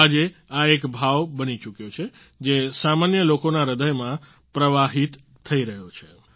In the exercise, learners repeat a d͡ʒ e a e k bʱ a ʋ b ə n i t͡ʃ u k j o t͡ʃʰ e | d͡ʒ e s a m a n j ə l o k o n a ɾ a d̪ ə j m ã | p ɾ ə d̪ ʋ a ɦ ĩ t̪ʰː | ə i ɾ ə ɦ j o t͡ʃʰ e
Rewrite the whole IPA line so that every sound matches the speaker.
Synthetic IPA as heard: a d͡ʒ e a e k bʱ a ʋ b ə n i t͡ʃ u k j o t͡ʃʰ e | d͡ʒ e s a m a n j ə l o k o n a ɾ ə d̪ ə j m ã | p ɾ ə ʋ a ɦ i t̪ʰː | ə i ɾ ə ɦ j o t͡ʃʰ e

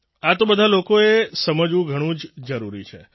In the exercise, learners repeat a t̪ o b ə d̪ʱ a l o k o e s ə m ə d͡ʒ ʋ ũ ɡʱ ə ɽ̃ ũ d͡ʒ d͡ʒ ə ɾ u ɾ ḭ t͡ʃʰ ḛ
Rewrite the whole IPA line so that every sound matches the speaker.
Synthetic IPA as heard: a t̪ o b ə d̪ʱ a l o k o e s ə m ə d͡ʒ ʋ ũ ɡʱ ə ɽ̃ ũ d͡ʒ d͡ʒ ə ɾ u ɾ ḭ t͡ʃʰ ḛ

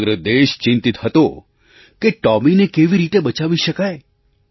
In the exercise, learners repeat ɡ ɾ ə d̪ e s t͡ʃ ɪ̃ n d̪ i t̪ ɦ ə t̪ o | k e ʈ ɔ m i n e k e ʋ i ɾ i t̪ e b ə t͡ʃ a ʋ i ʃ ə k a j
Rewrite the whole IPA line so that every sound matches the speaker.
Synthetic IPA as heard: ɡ ɾ ə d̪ e ʃ t͡ʃ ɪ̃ n t̪ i t̪ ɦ ə t̪ o | k e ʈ ɔ m i n e k e ʋ i ɾ i t̪ e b ə t͡ʃ a ʋ i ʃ ə k a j

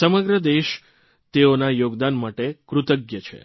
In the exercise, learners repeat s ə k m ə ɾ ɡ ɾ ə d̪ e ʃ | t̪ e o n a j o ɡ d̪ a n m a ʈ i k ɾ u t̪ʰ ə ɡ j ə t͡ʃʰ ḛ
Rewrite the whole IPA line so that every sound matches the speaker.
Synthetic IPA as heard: s ə m ə ɡ ɾ ə d̪ e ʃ | t̪ e o n a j o ɡ d̪ a n m a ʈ e k ɾ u t̪ ə ɡ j ə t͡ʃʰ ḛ

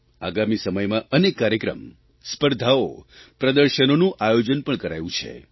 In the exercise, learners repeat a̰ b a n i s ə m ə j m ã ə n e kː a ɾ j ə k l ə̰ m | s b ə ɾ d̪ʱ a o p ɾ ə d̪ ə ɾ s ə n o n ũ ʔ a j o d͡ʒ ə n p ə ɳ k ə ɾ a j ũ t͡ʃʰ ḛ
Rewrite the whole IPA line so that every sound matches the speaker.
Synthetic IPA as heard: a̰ ɡ a m i s ə m ə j m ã ə n e kː a ɾ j ə k ɾ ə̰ m | s p ə ɾ d̪ʱ a o p ɾ ə d̪ ə ɾ ʃ ə n o n ũ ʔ a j o d͡ʒ ə n p ə ɳ k ə ɾ a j ũ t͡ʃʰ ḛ

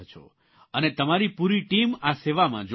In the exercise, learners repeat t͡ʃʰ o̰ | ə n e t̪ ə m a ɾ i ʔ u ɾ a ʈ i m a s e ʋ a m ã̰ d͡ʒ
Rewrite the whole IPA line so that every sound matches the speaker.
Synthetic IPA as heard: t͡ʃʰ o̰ | ə n e t̪ ə m a ɾ i p u ɾ i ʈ i m a s e ʋ a m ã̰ d͡ʒ

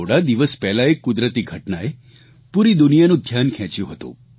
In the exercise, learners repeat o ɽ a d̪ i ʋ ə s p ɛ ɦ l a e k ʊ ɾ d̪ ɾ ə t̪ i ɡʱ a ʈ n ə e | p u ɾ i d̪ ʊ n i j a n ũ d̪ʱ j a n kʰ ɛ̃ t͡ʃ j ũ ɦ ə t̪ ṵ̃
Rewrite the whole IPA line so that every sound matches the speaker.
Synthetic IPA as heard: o ɽ a d̪ i ʋ ə s p ɛ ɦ l a e k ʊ d̪ ɾ ə t̪ i ɡʱ ə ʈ n a e | p u ɾ i d̪ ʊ n i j a n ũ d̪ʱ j a n kʰ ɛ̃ t͡ʃ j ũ ɦ ə t̪ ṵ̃

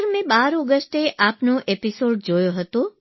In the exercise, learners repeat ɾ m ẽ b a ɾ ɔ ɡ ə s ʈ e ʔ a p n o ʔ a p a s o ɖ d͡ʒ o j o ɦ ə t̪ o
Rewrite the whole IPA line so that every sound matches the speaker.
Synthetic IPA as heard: ɾ m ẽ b a ɾ ɔ ɡ ə s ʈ e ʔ a p n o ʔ e p i s o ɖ d͡ʒ o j o ɦ ə t̪ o

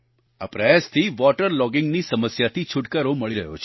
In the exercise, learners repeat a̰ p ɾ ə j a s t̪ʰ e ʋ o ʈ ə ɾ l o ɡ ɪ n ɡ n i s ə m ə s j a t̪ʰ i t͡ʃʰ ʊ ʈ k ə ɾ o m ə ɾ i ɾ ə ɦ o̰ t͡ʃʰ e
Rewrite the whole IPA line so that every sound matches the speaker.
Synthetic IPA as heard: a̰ p ɾ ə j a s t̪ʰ i ʋ ɔ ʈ ə ɾ l ɔ ɡ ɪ ŋ ɡ n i s ə m ə s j a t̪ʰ i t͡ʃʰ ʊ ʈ k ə ɾ o m ə ɭ i ɾ ə ɦ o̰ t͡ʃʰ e

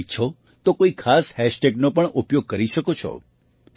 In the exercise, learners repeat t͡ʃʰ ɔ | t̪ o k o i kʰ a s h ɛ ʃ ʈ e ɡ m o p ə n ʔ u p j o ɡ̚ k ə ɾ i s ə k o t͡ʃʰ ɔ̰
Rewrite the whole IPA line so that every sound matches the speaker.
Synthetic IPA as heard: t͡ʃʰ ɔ | t̪ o k o i kʰ a s h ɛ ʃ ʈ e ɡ n o p ə ɳ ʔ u p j o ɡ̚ k ə ɾ i ʃ ə k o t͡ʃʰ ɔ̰

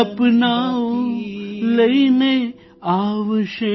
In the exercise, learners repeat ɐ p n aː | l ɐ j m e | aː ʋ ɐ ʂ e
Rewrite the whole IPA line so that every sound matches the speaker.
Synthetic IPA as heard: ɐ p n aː | l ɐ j n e | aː ʋ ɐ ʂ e

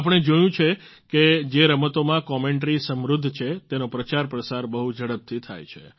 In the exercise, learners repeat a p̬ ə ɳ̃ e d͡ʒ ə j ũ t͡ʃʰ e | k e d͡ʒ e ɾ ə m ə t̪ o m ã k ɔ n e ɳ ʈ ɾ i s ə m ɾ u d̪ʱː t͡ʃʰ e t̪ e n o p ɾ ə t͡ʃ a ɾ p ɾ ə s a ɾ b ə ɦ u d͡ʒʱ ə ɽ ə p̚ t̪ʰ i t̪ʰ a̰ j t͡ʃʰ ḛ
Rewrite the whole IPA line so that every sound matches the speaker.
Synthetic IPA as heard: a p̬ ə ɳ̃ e d͡ʒ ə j ũ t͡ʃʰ e | k e d͡ʒ e ɾ ə m ə t̪ o m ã k ɔ m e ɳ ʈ ɾ i s ə m ɾ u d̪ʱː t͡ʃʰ e t̪ e n o p ɾ ə t͡ʃ a ɾ p ɾ ə s a ɾ b ə ɦ u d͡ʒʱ ə ɽ ə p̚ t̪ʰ i t̪ʰ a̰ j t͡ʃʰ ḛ

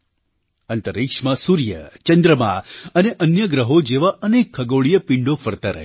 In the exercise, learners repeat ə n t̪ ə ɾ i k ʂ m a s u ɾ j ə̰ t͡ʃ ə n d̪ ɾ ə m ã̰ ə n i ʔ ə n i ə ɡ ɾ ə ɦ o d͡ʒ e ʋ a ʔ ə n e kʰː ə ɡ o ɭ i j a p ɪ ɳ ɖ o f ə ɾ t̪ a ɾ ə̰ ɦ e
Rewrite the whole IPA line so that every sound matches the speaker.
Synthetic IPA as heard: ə n t̪ ə ɾ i k ʂ m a s u ɾ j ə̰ t͡ʃ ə n d̪ ɾ ə m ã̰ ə n e ʔ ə n j ə ɡ ɾ ə ɦ o d͡ʒ e ʋ a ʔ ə n e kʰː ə ɡ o ɭ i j ə p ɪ ɳ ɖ o f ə ɾ t̪ a ɾ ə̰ ɦ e

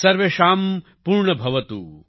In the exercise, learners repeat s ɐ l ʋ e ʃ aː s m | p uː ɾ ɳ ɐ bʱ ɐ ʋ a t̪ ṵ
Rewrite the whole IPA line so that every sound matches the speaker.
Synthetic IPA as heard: s ɐ ɾ ʋ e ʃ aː m | p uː ɾ ɳ ɐ bʱ ɐ ʋ ɐ t̪ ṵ

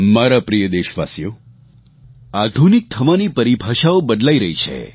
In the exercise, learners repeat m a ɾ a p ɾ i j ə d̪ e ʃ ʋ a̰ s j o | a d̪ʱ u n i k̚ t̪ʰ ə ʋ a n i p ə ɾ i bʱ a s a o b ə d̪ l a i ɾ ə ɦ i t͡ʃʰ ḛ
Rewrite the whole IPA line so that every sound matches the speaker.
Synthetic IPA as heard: m a ɾ a p ɾ i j ə d̪ e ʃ ʋ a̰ s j o | a d̪ʱ u n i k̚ t̪ʰ ə ʋ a n i p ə ɾ i bʱ a ʃ a o b ə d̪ l a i ɾ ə ɦ i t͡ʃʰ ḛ

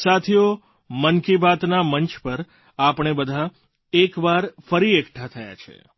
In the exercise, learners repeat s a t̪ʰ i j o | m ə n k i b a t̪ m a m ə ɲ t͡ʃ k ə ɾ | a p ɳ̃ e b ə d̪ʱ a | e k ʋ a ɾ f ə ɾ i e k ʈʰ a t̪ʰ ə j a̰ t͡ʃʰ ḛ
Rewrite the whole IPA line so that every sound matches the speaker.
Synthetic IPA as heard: s a t̪ʰ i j o | m ə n k i b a t̪ n a m ə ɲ t͡ʃ p ə ɾ | a p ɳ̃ e b ə d̪ʱ a | e k ʋ a ɾ f ə ɾ i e k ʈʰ a t̪ʰ ə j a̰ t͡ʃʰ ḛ

